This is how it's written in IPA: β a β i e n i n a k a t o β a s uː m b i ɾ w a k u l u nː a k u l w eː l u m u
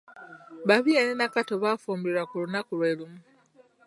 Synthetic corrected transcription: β a β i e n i n a k a t o β a f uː m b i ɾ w a k u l u n a k u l w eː l u m u